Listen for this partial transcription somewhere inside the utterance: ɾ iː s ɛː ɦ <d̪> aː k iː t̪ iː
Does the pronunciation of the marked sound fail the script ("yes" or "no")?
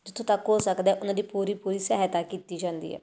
yes